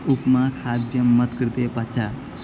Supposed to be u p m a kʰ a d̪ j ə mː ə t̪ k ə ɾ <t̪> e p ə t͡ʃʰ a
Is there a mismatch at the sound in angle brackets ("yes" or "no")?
no